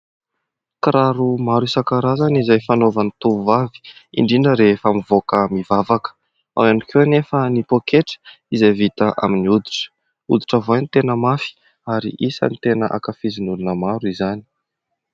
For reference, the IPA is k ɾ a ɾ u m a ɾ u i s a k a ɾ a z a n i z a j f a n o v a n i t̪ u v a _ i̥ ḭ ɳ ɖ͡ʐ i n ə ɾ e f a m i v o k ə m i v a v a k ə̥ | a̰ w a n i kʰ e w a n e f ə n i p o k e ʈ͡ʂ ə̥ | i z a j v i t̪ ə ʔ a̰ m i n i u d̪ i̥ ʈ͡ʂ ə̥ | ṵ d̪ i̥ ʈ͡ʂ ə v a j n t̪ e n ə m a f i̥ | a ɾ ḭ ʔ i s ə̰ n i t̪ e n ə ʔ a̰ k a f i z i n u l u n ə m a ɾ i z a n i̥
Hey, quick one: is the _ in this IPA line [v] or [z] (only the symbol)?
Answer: v